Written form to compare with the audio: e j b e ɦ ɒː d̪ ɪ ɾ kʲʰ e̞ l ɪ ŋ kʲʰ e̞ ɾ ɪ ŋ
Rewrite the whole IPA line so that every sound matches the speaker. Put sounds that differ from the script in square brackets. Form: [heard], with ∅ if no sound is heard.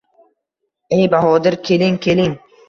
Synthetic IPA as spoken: e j b [a] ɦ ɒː d̪ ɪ ɾ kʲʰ e̞ l ɪ ŋ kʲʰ e̞ [l] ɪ ŋ

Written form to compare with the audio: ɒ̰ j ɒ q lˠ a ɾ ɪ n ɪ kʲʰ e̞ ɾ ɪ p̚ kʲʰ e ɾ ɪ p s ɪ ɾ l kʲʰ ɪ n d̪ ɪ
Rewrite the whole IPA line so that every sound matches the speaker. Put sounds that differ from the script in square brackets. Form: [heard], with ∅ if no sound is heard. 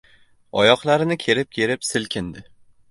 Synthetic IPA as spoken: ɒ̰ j ɒ q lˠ a ɾ ɪ n ɪ kʲʰ e̞ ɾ ɪ p̚ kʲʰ e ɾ ɪ p s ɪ [∅] l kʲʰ ɪ n d̪ ɪ

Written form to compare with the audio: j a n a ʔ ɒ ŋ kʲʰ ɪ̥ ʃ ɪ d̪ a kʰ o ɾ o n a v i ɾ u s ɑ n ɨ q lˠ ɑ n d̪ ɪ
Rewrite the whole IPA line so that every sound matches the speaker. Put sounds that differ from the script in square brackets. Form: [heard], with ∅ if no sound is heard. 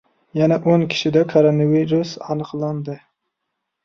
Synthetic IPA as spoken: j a n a ʔ [o] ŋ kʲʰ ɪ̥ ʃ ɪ d̪ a kʰ o ɾ o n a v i ɾ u s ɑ n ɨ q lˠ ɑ n d̪ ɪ

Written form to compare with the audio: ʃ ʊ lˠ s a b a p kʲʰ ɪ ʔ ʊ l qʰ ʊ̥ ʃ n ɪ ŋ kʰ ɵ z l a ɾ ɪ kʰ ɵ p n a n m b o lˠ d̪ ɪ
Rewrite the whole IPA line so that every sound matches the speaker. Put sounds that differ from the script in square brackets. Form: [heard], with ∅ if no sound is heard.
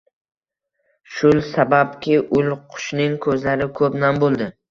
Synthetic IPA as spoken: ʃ ʊ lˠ s a b a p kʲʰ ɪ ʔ ʊ l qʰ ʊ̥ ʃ n ɪ ŋ kʰ ɵ z l a ɾ ɪ kʰ ɵ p n a [∅] m b o lˠ d̪ ɪ

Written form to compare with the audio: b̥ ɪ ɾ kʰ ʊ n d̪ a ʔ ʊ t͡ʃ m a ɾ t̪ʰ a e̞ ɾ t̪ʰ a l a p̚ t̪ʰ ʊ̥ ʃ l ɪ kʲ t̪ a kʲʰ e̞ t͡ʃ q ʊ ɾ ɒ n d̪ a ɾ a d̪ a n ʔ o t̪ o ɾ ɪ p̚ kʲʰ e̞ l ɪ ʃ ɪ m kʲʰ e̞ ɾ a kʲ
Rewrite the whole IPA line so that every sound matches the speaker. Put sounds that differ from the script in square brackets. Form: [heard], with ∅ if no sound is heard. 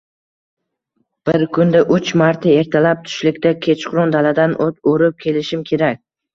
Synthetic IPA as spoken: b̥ ɪ ɾ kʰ ʊ n d̪ a ʔ ʊ t͡ʃ m a ɾ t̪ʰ a e̞ ɾ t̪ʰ a l a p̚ t̪ʰ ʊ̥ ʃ l ɪ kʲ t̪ a kʲʰ e̞ t͡ʃ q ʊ ɾ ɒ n d̪ a [l] a d̪ a n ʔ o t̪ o ɾ ɪ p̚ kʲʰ e̞ l ɪ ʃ ɪ m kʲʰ e̞ ɾ a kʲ

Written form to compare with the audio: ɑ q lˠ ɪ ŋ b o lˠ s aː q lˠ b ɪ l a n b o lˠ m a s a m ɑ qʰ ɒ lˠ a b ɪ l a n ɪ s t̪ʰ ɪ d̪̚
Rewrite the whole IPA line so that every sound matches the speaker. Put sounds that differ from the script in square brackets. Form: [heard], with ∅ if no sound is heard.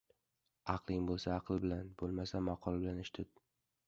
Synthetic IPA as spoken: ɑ q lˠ ɪ ŋ b o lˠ s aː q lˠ b ɪ l a n b o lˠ m a s a m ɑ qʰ ɒ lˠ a b ɪ l a n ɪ [ʃ] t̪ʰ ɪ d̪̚

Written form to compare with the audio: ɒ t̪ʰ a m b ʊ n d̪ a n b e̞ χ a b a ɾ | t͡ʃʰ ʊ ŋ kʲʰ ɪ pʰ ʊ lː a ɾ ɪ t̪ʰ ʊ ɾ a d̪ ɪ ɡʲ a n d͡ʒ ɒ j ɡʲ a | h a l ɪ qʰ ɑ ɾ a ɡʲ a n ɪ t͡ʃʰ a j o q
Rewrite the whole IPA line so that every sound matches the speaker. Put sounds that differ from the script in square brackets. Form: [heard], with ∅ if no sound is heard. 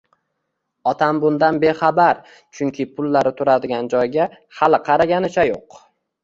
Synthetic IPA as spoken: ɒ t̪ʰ a m b ʊ n d̪ a n b e̞ χ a b a ɾ | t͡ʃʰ ʊ ŋ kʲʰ ɪ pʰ ʊ lː a ɾ ɪ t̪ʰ ʊ ɾ a d̪ ɪ ɡʲ a n d͡ʒ ɒ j ɡʲ a | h a l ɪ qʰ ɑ ɾ a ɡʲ a n ɪ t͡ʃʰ a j o q

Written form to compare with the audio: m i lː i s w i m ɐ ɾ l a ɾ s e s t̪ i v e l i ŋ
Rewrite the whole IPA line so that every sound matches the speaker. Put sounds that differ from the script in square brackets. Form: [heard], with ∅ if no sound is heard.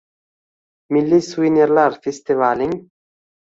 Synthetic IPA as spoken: m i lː i s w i [n] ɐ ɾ l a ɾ [f] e s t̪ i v [a] l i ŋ

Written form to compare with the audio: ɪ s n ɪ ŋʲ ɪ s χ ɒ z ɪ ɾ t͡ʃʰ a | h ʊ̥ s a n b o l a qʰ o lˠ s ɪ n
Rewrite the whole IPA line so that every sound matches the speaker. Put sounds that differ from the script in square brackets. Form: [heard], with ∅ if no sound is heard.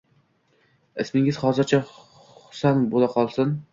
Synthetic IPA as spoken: ɪ s [m] ɪ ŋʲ ɪ [z] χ ɒ z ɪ ɾ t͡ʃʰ a | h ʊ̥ s a n b o l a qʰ [ɒ] lˠ s ɪ n

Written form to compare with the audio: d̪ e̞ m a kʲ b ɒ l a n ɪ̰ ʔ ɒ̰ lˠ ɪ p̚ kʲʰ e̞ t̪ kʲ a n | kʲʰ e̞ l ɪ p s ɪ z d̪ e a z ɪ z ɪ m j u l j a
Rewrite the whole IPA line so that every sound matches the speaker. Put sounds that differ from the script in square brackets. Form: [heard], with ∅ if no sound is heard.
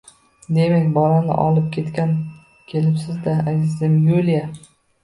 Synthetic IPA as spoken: d̪ e̞ m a kʲ b ɒ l a n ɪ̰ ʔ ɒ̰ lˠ ɪ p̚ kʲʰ e̞ t̪ kʲ a n | kʲʰ e̞ l ɪ p s ɪ z d̪ [a] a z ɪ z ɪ m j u l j a

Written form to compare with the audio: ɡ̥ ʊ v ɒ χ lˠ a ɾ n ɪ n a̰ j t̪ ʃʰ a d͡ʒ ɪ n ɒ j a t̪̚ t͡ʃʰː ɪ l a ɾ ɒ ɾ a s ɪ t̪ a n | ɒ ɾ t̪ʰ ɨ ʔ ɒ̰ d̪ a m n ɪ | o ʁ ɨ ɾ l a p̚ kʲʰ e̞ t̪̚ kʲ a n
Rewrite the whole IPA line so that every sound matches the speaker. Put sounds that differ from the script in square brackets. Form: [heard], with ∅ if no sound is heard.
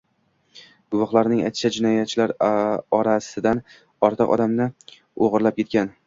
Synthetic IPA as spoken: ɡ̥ ʊ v ɒ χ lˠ a ɾ n ɪ [ŋ] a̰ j t̪ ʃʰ a d͡ʒ ɪ n ɒ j a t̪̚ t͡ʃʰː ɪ l a ɾ ɒ ɾ a s ɪ [d̪] a n | ɒ ɾ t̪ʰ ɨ [q] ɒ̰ d̪ a m n ɪ | o ʁ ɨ ɾ l a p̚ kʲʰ e̞ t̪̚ kʲ a n

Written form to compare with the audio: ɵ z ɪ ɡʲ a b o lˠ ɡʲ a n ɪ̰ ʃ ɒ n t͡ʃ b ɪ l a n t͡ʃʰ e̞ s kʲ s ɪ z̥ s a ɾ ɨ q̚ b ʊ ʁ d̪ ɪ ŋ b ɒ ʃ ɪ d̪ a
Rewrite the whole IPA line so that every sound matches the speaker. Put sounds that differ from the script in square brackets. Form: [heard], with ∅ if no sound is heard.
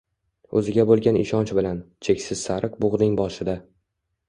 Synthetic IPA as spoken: ɵ z ɪ ɡʲ a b o lˠ ɡʲ a n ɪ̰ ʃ ɒ n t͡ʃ b ɪ l a n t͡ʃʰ e̞ [∅] kʲ s ɪ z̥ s a ɾ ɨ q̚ b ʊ ʁ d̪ ɪ ŋ b ɒ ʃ ɪ d̪ a

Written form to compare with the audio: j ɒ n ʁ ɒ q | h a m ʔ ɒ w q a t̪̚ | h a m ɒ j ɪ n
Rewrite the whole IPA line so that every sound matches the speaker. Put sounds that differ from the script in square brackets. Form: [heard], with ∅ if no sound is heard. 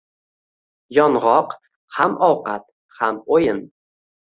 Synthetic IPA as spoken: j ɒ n ʁ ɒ q | h a m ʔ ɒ w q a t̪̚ | h a m [o] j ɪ n

